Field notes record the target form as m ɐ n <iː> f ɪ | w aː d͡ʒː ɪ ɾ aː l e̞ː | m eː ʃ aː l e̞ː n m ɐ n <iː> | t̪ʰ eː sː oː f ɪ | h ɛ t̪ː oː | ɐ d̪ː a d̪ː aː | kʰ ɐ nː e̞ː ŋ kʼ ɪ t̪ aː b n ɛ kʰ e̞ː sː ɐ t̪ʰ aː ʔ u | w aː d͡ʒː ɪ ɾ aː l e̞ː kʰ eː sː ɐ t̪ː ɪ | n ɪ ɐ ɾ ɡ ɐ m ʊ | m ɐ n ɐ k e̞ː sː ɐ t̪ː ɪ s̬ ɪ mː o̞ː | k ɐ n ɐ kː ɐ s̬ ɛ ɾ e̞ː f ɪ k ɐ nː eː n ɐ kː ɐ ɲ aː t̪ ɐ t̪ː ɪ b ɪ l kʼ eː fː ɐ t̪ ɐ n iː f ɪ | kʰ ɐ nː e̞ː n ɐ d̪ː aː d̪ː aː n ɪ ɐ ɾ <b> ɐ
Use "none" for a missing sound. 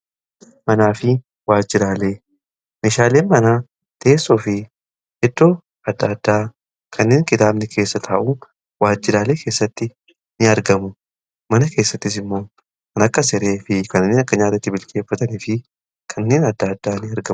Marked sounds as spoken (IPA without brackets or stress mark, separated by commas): aː, aː, ɡ